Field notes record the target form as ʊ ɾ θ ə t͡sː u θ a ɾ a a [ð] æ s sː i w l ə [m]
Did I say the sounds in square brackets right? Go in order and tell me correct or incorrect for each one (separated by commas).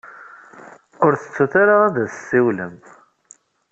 correct, correct